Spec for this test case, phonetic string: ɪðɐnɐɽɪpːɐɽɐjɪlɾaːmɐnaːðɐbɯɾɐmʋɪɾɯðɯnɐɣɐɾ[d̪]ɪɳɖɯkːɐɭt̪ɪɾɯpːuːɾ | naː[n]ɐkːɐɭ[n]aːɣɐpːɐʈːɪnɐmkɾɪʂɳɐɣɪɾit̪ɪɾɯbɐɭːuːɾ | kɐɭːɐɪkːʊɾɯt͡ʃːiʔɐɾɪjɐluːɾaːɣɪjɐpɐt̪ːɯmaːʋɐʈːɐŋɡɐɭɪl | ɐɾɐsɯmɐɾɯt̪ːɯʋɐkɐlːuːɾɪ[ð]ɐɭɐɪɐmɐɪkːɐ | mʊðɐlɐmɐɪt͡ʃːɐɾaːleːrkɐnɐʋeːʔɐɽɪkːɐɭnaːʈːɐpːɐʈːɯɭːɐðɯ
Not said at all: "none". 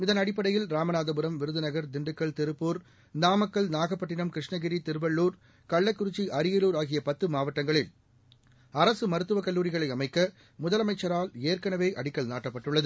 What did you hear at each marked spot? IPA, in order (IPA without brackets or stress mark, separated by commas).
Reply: d̪, m, n, ɣ